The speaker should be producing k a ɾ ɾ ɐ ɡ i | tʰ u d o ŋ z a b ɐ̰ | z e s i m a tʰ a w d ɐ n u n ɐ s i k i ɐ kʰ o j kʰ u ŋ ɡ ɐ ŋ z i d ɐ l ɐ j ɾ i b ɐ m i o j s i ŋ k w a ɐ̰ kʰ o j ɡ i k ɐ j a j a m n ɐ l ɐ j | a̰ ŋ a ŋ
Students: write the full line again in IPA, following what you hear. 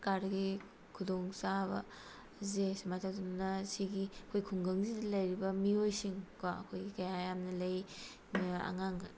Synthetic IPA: k a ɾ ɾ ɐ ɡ i | kʰ u d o ŋ s a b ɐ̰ | z e s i m a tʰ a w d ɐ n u n ɐ s i ɡ i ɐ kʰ o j kʰ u ŋ ɡ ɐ ŋ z i d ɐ l ɐ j ɾ i b ɐ m i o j s i ŋ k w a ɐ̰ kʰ o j ɡ i k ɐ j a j a m n ɐ l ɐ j | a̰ ŋ a ŋ